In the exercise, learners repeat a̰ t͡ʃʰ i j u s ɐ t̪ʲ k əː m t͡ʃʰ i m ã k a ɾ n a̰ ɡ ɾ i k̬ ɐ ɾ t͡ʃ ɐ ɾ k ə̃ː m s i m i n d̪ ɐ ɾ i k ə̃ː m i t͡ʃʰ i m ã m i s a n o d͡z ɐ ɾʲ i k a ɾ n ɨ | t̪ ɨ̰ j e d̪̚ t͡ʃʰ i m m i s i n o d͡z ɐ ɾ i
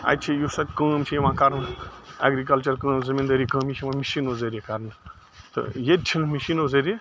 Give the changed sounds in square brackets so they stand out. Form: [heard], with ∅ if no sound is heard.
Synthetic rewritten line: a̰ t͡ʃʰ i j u s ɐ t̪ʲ k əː m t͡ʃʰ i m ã k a ɾ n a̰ ɡ ɾ i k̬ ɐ [l] t͡ʃ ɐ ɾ k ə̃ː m [z] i m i n d̪ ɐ ɾ i k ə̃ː m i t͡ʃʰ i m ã m i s [i] n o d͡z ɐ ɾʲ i k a ɾ n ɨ | t̪ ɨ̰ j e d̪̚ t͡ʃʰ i [n] m i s i n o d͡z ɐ ɾ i